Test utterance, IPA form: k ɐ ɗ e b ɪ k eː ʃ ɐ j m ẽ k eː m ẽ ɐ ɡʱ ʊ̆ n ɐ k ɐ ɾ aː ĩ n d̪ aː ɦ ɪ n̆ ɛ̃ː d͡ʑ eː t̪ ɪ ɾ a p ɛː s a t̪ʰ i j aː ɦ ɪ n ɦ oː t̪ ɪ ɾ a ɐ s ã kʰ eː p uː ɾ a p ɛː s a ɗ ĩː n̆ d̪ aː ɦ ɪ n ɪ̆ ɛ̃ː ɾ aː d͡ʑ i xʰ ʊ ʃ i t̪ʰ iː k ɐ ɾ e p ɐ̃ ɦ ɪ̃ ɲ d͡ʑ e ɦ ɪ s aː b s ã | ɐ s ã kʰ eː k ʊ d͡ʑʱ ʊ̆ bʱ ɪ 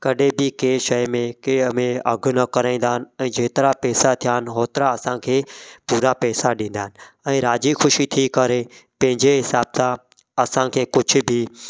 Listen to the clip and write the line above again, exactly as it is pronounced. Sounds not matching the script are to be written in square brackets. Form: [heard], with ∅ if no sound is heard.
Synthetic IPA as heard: k ɐ ɗ e b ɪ k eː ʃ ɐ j m ẽ k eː m ẽ ɐ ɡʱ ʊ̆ n ɐ k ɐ ɾ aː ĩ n d̪ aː ɦ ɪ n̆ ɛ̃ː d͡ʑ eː t̪ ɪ ɾ a p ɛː s a t̪ʰ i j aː ɦ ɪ n ɦ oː t̪ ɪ ɾ a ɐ s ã kʰ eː p uː ɾ a p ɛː s a ɗ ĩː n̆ d̪ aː ɦ ɪ n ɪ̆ ɛ̃ː ɾ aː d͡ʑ i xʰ ʊ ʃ i t̪ʰ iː k ɐ ɾ e p ɐ̃ ɦ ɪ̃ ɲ d͡ʑ e ɦ ɪ s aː b s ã | ɐ s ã kʰ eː k ʊ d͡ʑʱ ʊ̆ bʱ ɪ